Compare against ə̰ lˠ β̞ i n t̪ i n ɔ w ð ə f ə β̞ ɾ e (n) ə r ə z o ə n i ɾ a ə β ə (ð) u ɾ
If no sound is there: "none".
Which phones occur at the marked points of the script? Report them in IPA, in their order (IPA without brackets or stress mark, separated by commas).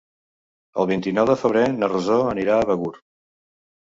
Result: n, ɣ